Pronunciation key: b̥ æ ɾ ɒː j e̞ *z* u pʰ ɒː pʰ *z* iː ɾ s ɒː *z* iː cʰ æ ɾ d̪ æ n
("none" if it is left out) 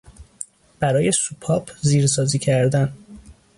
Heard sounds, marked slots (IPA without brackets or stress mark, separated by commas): s, z, z